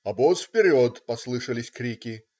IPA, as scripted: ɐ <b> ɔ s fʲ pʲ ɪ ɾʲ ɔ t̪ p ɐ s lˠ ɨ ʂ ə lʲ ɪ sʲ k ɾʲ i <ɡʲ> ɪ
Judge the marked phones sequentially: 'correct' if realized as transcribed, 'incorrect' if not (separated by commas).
correct, incorrect